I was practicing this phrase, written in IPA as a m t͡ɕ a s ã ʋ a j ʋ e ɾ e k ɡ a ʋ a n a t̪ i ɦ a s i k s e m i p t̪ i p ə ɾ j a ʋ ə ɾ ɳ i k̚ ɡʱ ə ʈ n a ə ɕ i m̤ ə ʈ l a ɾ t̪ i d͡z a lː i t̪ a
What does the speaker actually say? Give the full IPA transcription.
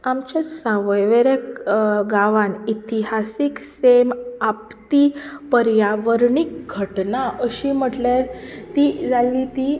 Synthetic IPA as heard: a m t͡ɕ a s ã ʋ ə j ʋ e ɾ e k ɡ a ʋ a n i t̪ i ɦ a s i k s e m a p t̪ i p ə ɾ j a ʋ ə ɾ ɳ i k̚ ɡʱ ə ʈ n a ə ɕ i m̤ ə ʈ l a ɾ t̪ i d͡z a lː i t̪ i